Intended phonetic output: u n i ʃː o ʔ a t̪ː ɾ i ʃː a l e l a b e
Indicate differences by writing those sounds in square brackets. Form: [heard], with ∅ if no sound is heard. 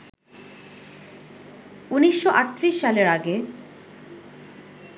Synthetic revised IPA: u n i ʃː o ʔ a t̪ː ɾ i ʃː a l e [ɾ] a [ɡ] e

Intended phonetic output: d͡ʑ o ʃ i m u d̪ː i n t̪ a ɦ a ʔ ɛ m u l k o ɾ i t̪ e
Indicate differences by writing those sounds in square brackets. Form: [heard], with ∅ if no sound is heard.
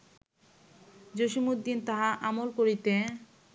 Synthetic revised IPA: d͡ʑ o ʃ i m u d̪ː i n t̪ a ɦ a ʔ [a] m [o] l k o ɾ i t̪ e

